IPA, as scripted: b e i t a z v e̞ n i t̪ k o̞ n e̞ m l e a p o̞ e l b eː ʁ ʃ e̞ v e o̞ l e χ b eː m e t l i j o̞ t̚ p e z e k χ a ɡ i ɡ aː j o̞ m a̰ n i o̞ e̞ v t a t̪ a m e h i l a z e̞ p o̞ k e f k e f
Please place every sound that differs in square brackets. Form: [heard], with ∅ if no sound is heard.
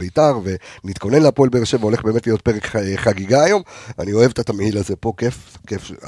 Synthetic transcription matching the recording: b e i t a [ʁ] v e̞ n i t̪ k o̞ n e̞ [n] l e a p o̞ e l b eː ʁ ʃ e̞ v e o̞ l e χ b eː m e t l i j o̞ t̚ p e [ʁ] e k χ a ɡ i ɡ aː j o̞ m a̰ n i o̞ e̞ v t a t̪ a m e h i l a z e̞ p o̞ k e f k e f